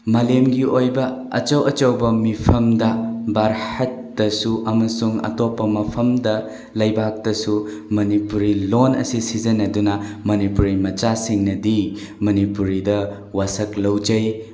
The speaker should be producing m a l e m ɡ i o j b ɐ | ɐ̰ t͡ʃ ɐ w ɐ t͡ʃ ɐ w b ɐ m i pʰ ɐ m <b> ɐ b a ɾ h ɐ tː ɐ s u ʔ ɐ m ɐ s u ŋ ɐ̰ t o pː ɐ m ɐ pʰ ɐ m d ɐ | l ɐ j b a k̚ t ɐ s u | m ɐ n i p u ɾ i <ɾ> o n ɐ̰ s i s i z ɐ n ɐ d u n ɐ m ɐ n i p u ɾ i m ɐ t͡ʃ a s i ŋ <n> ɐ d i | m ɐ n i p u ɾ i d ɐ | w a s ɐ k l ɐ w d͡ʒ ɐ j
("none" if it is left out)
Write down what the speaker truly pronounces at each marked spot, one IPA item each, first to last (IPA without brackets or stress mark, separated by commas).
d, l, n